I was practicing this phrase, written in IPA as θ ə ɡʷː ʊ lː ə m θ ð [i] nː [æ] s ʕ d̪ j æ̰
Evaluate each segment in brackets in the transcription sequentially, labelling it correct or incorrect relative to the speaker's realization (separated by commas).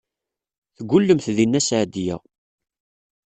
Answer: correct, correct